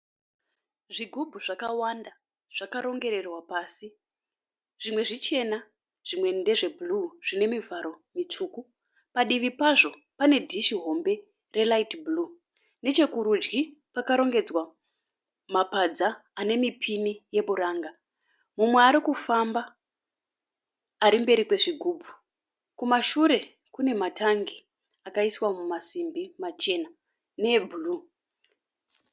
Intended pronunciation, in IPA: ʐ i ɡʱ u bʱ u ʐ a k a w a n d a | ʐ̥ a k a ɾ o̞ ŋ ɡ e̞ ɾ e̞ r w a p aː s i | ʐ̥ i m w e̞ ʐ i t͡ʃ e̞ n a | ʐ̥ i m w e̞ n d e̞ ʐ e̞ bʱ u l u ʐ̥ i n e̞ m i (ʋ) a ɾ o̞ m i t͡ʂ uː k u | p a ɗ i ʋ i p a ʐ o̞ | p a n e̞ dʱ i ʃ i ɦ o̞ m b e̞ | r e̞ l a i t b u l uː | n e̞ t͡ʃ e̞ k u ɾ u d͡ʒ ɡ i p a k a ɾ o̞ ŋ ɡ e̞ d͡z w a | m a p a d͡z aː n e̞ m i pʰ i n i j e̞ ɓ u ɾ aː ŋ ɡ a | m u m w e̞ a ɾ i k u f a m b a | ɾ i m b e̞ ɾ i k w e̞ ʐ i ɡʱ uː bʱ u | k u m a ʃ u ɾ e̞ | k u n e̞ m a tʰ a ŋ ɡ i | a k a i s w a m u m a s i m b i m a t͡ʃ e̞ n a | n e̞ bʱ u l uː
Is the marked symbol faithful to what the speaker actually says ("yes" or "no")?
no